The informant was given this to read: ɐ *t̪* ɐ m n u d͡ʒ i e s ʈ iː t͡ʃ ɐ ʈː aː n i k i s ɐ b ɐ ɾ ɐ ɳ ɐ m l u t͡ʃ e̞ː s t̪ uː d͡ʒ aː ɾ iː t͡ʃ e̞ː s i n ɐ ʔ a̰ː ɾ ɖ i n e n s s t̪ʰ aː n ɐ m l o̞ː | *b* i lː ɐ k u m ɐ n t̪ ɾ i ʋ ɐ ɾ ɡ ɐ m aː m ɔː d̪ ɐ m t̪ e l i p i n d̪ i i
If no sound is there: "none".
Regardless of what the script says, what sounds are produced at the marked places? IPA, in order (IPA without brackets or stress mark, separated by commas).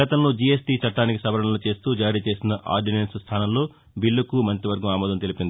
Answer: t̪, b